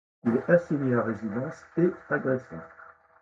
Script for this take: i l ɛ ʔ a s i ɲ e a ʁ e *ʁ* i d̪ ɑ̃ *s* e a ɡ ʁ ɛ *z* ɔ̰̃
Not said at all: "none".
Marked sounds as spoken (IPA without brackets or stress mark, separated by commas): z, s, s